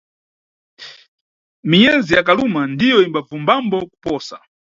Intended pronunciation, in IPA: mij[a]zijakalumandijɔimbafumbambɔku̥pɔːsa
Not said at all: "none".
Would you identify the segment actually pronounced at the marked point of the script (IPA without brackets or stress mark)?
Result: ɛ